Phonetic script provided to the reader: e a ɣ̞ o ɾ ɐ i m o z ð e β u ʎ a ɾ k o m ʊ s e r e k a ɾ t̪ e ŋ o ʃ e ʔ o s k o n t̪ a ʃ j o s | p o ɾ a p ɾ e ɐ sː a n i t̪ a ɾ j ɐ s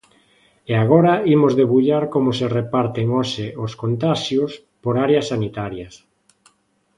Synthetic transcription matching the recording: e a ɣ̞ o ɾ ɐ i m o z ð e β u ʎ a ɾ k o m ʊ s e r e p a ɾ t̪ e ŋ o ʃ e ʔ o s k o n t̪ a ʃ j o s | p o ɾ a ɾ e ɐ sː a n i t̪ a ɾ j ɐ s